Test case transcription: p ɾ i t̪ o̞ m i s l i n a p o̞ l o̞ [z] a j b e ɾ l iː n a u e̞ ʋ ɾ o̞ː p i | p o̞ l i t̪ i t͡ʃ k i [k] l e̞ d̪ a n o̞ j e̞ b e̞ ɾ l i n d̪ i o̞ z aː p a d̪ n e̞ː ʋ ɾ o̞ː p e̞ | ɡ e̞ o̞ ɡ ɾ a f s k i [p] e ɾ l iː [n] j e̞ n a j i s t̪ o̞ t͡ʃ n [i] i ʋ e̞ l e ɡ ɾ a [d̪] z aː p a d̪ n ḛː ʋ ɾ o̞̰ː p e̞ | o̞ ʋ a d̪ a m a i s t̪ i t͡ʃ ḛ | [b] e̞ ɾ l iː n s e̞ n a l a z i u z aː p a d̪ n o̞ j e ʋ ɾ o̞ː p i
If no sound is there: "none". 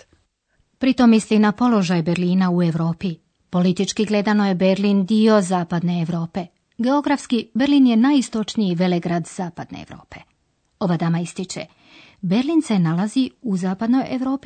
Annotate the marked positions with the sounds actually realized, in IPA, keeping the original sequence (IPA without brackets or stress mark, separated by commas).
ʒ, ɡ, b, n, i, d̪, b